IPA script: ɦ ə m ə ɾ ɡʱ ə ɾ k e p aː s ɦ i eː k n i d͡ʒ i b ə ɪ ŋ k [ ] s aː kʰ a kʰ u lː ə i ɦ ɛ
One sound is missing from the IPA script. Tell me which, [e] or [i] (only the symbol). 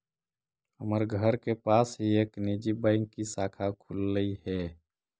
i